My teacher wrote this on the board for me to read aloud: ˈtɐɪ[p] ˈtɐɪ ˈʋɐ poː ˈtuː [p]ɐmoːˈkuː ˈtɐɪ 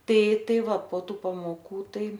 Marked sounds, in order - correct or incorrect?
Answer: incorrect, correct

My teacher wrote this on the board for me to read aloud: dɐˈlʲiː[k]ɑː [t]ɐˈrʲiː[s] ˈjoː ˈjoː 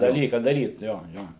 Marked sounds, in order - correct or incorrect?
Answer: correct, incorrect, incorrect

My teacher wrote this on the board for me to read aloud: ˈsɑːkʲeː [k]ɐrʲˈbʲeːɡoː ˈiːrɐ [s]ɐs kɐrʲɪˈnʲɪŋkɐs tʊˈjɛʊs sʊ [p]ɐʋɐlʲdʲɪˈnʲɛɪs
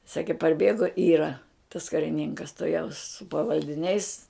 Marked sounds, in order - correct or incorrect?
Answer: incorrect, incorrect, correct

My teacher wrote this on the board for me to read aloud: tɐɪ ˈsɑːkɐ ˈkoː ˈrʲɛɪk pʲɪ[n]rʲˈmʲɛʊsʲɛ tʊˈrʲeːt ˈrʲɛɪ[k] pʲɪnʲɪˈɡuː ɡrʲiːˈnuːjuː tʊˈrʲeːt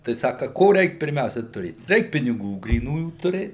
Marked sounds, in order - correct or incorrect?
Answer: incorrect, correct

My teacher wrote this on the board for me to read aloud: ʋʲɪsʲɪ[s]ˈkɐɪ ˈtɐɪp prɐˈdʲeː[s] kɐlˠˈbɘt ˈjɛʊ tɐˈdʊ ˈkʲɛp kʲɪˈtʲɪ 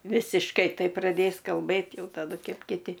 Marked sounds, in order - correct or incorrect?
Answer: incorrect, correct

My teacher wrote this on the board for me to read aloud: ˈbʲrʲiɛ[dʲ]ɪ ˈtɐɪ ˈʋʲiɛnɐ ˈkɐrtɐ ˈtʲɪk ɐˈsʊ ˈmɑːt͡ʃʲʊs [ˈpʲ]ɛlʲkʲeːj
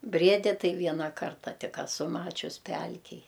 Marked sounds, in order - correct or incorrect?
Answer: correct, correct

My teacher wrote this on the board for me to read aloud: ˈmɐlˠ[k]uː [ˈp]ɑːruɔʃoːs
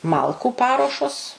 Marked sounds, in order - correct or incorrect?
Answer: correct, correct

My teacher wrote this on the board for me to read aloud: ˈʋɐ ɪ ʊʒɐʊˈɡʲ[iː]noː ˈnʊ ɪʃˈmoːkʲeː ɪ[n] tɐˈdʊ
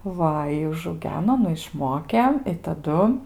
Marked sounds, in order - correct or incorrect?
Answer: incorrect, incorrect

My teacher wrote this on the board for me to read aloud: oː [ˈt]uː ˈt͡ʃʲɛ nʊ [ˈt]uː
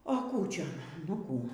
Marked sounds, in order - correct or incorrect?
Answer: incorrect, incorrect

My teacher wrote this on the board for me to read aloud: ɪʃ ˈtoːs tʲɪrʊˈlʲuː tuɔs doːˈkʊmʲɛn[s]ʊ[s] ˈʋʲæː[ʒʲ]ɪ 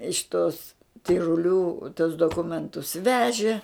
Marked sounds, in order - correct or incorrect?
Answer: incorrect, correct, correct

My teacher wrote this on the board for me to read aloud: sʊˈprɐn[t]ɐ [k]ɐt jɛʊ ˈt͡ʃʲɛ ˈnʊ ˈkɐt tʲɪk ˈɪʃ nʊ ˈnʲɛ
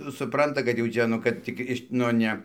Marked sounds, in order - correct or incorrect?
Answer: correct, correct

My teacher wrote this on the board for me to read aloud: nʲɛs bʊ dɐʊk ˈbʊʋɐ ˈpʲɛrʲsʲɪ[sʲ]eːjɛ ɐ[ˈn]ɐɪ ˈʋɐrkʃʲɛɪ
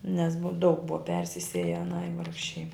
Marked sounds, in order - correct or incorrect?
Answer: correct, correct

